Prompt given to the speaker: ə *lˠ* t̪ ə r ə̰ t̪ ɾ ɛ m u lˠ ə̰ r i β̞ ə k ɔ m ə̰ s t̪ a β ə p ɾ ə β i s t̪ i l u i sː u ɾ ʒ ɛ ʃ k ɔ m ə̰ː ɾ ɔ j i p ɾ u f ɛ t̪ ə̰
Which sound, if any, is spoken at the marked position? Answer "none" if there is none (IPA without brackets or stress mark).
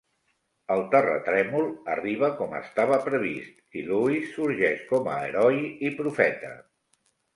lˠ